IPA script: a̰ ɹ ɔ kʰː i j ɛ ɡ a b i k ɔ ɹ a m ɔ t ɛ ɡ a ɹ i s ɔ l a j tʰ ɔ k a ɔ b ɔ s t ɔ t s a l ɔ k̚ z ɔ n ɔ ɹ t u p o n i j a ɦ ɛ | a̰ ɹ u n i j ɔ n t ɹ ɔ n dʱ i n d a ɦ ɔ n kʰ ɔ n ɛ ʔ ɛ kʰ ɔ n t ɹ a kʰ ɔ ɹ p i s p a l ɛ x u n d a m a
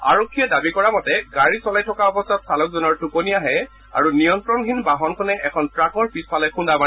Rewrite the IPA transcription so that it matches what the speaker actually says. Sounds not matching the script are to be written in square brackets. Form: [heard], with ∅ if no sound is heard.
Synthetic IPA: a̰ ɹ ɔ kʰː i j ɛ [d] a b i k ɔ ɹ a m ɔ t ɛ ɡ a ɹ i s ɔ l a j tʰ ɔ k a ɔ b ɔ s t ɔ t s a l ɔ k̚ z ɔ n ɔ ɹ t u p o n i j a ɦ ɛ | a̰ ɹ u n i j ɔ n t ɹ ɔ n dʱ i n [b] a ɦ ɔ n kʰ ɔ n ɛ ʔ ɛ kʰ ɔ n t ɹ a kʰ ɔ ɹ p i s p a l ɛ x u n d a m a

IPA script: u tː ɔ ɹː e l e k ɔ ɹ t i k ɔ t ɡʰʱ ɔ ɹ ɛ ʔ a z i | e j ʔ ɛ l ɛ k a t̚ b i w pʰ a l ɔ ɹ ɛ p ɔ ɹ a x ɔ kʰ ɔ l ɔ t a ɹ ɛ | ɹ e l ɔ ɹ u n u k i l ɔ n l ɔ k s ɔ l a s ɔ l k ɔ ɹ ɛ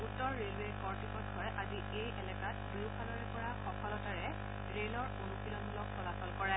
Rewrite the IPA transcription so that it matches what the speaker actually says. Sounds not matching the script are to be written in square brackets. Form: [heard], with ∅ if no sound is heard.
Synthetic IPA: u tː ɔ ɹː e l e k ɔ ɹ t i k ɔ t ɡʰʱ ɔ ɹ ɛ ʔ a z i | e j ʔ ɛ l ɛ k a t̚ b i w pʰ a l ɔ ɹ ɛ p ɔ ɹ a x ɔ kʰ ɔ l ɔ t a ɹ ɛ | ɹ e l ɔ ɹ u n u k i l ɔ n l ɔ k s ɔ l a s ɔ l k ɔ ɹ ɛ

